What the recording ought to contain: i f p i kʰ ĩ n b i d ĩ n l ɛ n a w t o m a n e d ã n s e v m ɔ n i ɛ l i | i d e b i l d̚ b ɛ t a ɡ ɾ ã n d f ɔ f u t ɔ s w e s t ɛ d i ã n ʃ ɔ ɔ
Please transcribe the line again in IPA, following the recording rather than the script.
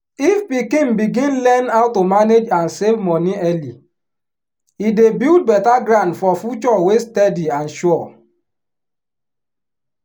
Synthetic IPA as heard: i f p i k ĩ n b i ɡ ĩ n l ɛ n a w t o m a n e d͡ʒ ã n s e v m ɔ n i ɛ l i | i d e b i l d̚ b ɛ t a ɡ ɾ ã n d f ɔ f u t͡ʃ ɔ w e s t ɛ d i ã n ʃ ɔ ɔ